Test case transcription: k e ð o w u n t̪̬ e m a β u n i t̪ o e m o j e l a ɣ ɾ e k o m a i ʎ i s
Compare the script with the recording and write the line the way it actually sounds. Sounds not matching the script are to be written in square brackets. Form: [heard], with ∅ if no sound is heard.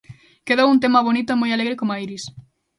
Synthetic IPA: k e ð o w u n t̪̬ e m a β [o] n i t̪ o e m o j [a] l [e] ɣ ɾ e k o m a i [ɾ] i s